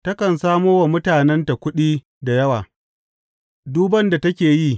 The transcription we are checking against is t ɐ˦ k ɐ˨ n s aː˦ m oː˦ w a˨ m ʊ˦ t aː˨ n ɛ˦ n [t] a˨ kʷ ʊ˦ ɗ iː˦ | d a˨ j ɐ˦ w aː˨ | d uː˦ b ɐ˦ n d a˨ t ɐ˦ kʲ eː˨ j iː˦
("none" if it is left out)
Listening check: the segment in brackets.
t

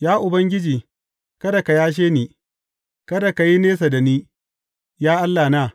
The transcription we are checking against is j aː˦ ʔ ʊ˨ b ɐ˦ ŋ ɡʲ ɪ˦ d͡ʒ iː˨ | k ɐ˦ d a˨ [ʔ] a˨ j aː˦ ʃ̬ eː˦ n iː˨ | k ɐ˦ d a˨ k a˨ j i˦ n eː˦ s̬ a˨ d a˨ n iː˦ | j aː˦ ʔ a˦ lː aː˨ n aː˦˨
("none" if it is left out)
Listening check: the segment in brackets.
k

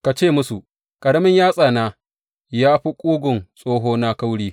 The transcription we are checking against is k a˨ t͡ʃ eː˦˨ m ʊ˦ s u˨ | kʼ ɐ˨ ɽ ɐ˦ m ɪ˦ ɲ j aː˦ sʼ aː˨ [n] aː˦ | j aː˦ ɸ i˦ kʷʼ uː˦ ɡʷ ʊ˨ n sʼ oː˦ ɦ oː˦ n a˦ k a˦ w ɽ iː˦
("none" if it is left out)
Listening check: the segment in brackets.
n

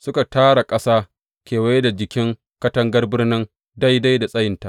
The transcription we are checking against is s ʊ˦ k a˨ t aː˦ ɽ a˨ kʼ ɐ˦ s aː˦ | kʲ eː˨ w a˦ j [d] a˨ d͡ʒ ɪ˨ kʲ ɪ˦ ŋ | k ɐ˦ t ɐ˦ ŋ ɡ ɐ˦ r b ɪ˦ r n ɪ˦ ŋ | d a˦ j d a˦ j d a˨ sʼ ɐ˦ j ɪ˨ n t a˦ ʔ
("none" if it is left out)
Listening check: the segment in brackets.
d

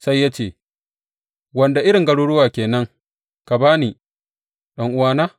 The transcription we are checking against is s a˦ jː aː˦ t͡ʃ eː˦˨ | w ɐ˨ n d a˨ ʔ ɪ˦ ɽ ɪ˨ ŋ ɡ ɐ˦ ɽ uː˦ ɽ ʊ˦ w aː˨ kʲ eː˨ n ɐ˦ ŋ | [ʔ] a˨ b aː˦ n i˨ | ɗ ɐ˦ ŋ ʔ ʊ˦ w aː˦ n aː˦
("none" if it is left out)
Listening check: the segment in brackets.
k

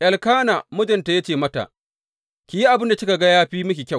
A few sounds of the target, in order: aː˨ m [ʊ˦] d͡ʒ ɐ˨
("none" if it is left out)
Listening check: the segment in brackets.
ʊ˦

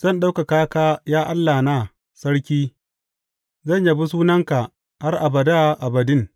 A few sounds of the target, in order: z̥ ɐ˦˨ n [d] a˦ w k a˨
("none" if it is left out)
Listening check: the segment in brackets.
ɗ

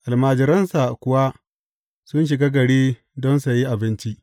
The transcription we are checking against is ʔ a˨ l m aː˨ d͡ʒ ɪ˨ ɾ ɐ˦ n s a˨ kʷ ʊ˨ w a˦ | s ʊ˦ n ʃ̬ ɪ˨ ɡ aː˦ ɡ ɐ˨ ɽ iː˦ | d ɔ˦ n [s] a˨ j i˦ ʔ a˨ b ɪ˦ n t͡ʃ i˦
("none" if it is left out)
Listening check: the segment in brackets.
s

